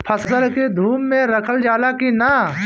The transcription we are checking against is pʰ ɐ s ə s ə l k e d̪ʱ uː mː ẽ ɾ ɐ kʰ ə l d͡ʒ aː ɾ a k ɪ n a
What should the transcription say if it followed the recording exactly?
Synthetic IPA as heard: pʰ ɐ s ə s ə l k e d̪ʱ uː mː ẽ ɾ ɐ kʰ ə l d͡ʒ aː l a k i n a